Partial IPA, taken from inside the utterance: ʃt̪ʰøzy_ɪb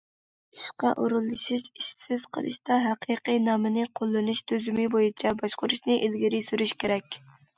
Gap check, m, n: m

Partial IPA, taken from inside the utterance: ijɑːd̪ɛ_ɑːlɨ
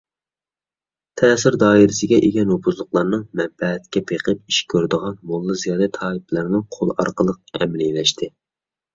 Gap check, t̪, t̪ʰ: t̪ʰ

